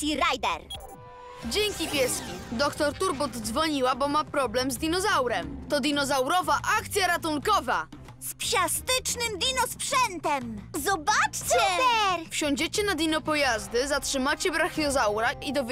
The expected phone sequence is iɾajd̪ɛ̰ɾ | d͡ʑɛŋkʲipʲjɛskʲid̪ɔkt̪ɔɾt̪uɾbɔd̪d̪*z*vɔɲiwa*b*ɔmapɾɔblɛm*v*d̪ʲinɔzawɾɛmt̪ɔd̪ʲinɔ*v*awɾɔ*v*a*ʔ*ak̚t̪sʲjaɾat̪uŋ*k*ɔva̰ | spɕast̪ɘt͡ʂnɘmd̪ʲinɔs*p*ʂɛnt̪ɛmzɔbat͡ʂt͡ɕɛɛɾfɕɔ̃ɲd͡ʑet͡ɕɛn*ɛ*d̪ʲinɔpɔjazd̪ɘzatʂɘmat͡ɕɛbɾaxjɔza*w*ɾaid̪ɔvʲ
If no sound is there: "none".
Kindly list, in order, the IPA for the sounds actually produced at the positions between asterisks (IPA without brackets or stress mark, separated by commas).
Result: z, b, z, z, v, ʔ, k, p, a, w